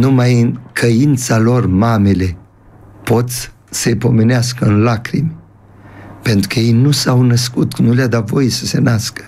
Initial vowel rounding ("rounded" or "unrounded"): rounded